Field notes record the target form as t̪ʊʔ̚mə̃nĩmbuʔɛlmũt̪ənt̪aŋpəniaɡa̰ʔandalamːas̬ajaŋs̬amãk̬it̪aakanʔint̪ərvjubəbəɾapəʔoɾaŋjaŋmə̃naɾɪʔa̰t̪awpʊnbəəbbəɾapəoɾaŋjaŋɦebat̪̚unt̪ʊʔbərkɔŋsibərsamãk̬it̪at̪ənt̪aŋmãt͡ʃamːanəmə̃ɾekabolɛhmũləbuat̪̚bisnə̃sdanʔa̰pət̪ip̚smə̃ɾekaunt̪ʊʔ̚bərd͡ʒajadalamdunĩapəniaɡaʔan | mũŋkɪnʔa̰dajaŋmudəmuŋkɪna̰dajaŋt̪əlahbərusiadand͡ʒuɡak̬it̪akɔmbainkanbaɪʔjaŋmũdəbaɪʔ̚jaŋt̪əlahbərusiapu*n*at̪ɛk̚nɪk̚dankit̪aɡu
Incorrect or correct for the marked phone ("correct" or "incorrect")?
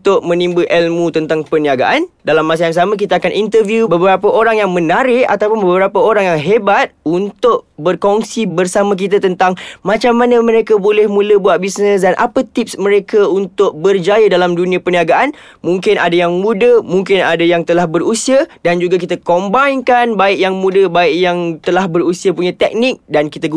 incorrect